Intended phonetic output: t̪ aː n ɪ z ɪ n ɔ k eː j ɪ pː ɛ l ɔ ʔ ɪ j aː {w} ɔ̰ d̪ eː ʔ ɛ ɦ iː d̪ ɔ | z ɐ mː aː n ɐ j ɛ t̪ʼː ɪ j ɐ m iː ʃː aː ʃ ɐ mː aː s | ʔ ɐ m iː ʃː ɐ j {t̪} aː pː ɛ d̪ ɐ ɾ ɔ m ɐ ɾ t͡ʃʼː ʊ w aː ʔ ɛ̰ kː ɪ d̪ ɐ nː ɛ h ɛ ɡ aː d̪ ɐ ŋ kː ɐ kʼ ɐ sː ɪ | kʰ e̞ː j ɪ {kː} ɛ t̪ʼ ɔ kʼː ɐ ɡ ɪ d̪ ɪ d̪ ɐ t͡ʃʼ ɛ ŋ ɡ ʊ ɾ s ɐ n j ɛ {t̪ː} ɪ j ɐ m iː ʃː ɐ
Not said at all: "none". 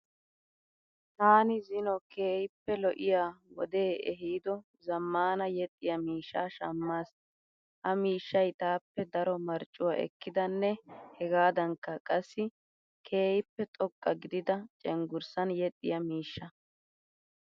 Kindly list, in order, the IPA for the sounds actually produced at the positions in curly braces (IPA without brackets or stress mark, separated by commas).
w, t̪, pː, t̪ʼː